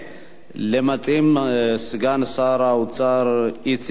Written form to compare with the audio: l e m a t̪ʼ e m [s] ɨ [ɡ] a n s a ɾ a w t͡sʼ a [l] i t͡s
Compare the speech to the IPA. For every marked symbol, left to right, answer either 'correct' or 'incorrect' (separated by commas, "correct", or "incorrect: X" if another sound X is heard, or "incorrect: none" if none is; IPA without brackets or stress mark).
correct, correct, incorrect: ɾ